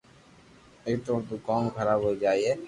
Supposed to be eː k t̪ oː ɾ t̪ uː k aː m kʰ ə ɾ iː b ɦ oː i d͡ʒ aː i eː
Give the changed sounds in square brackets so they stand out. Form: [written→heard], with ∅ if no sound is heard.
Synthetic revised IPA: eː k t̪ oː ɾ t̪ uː k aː m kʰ ə ɾ [iː→aː] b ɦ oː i d͡ʒ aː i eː